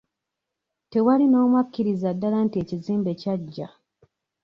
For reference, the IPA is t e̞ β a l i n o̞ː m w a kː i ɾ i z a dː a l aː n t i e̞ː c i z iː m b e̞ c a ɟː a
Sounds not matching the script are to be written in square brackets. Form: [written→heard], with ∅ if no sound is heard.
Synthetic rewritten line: t e̞ [β→w] a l i n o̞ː m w a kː i ɾ i z a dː a l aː n t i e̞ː c i z iː m b e̞ c a ɟː a